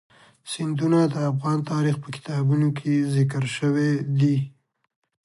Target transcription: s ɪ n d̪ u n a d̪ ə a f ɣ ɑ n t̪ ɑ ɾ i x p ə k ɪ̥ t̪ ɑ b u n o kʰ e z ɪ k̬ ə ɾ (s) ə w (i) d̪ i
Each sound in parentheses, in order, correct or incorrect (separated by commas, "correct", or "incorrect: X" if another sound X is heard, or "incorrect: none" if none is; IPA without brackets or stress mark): incorrect: ʃ, incorrect: e